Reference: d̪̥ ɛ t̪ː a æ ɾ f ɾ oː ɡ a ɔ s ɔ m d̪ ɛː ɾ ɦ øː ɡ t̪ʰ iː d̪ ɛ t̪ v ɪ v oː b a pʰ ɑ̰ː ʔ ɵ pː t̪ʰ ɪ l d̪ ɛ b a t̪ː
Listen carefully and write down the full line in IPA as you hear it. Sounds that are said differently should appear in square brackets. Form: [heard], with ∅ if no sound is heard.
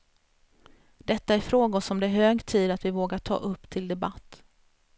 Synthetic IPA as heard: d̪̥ ɛ t̪ː a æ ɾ f ɾ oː ɡ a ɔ s ɔ m d̪ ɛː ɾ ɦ øː ɡ t̪ʰ iː d̪ [a] t̪ v ɪ v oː [ɡ] a [ʈʰ] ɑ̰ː ʔ ɵ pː t̪ʰ ɪ l d̪ ɛ b a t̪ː